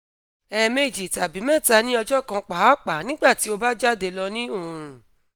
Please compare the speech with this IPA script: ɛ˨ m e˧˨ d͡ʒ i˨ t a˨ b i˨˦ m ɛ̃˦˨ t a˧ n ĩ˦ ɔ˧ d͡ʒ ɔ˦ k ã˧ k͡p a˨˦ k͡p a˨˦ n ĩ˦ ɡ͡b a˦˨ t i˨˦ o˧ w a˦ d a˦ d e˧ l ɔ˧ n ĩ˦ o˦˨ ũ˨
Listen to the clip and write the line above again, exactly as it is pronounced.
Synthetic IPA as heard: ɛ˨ m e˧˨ d͡ʒ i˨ t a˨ b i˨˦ m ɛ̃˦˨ t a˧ n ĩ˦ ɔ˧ d͡ʒ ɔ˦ k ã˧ k͡p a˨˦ k͡p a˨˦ n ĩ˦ ɡ͡b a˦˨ t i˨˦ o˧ b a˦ d͡ʒ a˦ d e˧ l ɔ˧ n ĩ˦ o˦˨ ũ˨